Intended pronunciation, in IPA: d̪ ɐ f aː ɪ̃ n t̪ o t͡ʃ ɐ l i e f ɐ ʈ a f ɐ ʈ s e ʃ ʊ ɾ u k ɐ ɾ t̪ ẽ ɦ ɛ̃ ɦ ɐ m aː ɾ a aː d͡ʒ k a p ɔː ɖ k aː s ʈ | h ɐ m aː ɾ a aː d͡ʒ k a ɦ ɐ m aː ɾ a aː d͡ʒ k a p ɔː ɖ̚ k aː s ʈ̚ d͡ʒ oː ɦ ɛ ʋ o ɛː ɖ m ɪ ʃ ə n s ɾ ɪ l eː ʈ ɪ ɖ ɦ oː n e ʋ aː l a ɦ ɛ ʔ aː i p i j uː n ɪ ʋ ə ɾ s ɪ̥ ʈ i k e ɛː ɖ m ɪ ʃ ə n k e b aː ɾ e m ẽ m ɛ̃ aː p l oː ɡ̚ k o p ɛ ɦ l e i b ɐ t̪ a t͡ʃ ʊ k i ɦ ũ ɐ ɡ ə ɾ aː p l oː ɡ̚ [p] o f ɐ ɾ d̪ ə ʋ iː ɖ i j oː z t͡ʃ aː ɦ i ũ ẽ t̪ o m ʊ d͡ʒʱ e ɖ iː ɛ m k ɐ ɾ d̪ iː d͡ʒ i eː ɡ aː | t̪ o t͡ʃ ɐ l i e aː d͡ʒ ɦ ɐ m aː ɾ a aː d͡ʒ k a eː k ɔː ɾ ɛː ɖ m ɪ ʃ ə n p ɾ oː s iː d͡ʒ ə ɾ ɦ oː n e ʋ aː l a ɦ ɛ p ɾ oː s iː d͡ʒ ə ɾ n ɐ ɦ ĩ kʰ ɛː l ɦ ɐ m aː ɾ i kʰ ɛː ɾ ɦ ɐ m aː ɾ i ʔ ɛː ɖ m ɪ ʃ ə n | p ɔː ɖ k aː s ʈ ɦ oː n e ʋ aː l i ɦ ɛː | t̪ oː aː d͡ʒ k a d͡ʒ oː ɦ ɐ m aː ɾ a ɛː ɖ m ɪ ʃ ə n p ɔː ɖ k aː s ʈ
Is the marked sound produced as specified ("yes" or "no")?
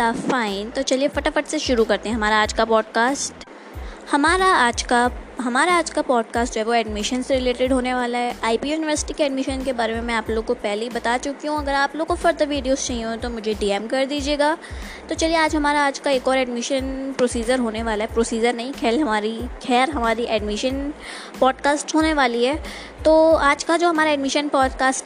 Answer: no